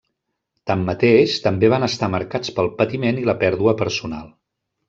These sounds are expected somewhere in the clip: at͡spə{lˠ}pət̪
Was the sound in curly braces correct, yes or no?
yes